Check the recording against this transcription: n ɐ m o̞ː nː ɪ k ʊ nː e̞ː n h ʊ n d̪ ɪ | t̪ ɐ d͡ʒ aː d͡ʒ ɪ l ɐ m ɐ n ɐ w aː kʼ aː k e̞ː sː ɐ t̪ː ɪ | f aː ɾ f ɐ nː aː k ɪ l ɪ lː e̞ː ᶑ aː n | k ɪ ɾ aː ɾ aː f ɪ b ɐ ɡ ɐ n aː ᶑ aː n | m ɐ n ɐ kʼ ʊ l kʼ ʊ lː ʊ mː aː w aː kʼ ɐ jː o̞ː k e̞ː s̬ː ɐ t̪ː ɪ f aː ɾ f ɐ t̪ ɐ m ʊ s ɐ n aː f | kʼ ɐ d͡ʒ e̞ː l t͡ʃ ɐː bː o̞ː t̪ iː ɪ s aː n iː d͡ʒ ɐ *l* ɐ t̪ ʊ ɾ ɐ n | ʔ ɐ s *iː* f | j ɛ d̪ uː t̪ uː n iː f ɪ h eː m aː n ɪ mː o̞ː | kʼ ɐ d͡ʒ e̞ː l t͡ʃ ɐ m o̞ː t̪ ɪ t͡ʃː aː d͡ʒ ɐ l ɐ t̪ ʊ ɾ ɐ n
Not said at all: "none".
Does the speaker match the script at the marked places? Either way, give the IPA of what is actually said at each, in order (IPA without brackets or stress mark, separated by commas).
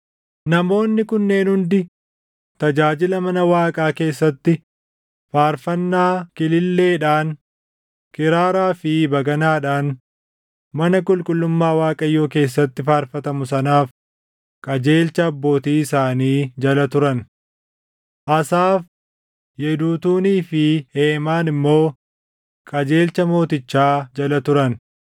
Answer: l, aː